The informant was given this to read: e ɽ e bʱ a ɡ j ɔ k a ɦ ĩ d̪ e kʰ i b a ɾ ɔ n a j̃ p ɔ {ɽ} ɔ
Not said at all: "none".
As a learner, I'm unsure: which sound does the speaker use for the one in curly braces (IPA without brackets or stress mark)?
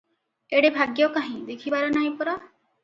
ɾ